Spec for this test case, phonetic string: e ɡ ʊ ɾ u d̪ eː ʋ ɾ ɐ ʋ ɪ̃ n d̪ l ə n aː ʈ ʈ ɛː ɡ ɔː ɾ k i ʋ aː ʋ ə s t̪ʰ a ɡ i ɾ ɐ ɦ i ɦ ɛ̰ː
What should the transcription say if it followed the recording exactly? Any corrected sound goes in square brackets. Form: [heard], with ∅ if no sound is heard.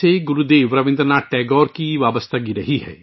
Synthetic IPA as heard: e ɡ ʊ ɾ u d̪ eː ʋ ɾ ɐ ʋ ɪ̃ n d̪ [ɾ] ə n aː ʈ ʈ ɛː ɡ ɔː ɾ k i ʋ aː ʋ ə s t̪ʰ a ɡ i ɾ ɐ ɦ i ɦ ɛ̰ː